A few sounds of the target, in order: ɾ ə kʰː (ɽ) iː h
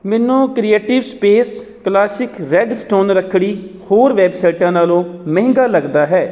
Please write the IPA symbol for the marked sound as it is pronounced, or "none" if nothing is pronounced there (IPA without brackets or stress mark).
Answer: ɽ